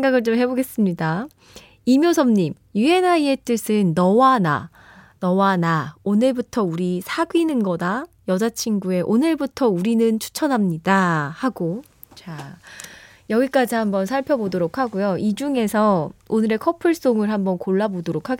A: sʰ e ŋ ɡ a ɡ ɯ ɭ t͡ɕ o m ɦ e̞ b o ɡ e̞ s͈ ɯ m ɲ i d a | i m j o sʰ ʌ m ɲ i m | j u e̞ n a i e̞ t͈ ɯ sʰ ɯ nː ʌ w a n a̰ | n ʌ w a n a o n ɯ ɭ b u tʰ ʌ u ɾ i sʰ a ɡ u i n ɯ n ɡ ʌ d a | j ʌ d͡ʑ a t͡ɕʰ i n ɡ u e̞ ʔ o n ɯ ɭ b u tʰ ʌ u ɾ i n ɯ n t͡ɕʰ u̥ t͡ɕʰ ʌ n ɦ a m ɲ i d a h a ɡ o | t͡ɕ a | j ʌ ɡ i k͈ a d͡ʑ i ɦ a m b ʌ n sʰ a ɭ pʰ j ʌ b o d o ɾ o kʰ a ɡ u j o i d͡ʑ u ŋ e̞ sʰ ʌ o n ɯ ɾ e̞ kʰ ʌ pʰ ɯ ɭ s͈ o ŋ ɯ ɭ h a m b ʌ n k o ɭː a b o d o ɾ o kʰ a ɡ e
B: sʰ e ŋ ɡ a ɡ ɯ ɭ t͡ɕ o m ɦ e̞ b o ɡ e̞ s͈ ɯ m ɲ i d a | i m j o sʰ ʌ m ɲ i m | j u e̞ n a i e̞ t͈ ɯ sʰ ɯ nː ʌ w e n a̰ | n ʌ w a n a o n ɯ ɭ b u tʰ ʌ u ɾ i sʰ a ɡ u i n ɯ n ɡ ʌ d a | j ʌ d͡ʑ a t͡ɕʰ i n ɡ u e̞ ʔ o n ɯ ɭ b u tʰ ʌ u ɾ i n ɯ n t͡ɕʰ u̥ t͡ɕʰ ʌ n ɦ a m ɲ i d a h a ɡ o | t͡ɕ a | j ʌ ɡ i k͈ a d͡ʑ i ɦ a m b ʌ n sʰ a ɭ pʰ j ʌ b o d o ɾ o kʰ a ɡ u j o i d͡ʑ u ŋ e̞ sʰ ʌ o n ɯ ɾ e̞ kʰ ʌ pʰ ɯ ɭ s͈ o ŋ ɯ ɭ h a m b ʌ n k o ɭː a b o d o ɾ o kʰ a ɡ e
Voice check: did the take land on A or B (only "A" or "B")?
A